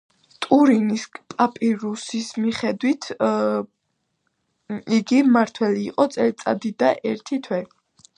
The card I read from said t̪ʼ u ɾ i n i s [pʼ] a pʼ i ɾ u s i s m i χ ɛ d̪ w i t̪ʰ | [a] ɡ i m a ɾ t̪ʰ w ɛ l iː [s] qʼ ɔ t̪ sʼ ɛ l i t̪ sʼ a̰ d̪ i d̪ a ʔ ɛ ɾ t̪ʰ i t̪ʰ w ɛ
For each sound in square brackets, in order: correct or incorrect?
correct, incorrect: i, incorrect: none

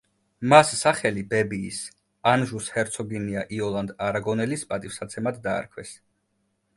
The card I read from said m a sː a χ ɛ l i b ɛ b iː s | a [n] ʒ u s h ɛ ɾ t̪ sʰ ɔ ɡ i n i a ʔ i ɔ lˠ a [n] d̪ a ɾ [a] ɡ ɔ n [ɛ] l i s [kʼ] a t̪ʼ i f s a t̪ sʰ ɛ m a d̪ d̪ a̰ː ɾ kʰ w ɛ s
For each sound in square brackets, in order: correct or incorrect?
correct, correct, correct, correct, incorrect: pʼ

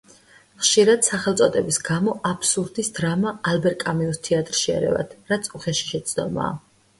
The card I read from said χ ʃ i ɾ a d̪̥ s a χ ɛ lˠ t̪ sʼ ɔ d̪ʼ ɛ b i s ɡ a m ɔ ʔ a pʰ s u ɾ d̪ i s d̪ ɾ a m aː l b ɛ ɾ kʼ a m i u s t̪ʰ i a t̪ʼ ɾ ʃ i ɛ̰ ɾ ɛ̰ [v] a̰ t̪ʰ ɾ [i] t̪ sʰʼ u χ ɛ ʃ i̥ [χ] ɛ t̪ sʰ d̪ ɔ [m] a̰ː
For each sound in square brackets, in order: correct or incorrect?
correct, incorrect: a, incorrect: ʃ, correct

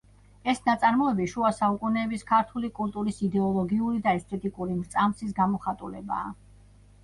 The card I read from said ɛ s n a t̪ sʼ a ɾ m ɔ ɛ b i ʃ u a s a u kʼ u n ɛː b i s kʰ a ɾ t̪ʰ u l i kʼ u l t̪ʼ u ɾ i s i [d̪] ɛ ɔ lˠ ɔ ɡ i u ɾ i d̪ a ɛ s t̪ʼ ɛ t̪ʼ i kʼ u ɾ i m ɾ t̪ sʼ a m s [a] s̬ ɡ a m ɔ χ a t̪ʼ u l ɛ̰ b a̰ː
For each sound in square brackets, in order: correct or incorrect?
correct, incorrect: i

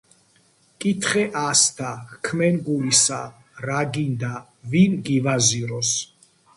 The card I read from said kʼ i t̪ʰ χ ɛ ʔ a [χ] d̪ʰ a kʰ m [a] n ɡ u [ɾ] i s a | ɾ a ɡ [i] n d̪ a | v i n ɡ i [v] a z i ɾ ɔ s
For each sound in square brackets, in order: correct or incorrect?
incorrect: s, incorrect: ɛ, incorrect: l, correct, correct

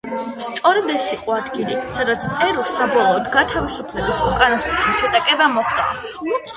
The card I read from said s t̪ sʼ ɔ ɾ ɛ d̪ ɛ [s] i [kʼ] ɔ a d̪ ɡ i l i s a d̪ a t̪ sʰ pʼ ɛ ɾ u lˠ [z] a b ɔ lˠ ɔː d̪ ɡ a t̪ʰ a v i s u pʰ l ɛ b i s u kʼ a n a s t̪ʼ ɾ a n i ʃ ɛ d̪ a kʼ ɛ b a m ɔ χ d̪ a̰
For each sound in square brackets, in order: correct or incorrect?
correct, incorrect: qʼ, incorrect: s

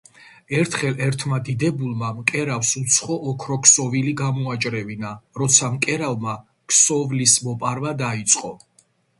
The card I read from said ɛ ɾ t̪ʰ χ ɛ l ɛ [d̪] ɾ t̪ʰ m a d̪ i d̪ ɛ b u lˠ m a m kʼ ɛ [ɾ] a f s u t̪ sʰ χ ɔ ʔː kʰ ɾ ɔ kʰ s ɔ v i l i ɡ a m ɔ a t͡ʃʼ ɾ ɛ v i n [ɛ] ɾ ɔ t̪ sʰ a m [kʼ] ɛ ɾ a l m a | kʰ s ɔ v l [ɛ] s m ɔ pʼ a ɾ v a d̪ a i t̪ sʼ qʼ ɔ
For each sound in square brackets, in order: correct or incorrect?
incorrect: none, correct, incorrect: a, correct, incorrect: i

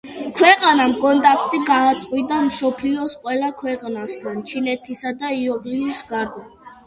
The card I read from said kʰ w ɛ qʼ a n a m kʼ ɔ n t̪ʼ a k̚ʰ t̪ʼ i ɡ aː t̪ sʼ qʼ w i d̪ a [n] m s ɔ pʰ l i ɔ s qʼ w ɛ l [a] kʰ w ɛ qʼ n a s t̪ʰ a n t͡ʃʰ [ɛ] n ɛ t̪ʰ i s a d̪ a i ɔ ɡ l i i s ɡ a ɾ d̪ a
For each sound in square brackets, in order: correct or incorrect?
incorrect: none, correct, incorrect: i

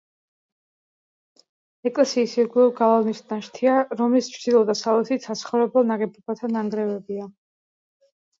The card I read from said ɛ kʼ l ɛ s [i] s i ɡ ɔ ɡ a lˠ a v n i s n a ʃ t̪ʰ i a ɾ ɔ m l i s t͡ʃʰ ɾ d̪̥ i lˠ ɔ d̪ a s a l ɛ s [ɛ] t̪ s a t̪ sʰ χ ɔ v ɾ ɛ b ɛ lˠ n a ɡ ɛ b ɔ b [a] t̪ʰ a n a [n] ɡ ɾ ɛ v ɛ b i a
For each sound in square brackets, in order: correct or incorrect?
incorrect: iː, incorrect: i, correct, incorrect: ŋ

